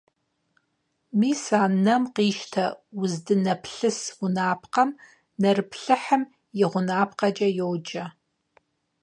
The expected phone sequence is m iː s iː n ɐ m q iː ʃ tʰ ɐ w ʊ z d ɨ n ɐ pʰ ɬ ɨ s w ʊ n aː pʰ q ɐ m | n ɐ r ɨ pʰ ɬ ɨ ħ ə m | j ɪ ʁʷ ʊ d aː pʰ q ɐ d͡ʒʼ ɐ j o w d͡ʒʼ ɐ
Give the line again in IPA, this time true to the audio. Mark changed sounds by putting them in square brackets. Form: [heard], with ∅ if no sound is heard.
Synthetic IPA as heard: m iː s [aː] n ɐ m q iː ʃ tʰ ɐ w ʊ z d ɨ n ɐ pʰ ɬ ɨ s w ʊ n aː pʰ q ɐ m | n ɐ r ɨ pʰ ɬ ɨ ħ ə m | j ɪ ʁʷ ʊ [n] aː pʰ q ɐ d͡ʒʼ ɐ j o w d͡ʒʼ ɐ